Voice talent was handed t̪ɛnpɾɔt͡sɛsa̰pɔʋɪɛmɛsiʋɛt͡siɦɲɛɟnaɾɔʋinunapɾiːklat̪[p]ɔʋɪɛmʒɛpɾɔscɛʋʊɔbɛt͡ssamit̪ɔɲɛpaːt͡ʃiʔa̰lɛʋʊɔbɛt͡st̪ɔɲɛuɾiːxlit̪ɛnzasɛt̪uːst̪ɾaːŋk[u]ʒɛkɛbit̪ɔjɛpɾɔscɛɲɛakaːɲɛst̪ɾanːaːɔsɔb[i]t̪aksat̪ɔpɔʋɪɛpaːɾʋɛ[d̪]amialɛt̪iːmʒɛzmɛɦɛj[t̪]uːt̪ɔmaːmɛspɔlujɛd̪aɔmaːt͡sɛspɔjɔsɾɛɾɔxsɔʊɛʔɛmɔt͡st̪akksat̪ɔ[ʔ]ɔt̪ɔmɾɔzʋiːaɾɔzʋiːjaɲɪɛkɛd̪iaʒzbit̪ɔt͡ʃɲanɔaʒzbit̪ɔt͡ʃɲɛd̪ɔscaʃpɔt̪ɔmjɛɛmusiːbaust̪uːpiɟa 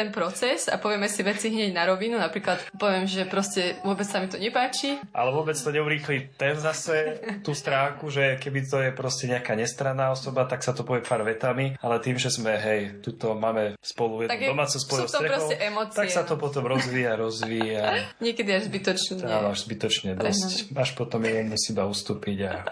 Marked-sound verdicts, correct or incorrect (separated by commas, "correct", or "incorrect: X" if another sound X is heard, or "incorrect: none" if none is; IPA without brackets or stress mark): correct, correct, incorrect: a, incorrect: t̪, correct, incorrect: p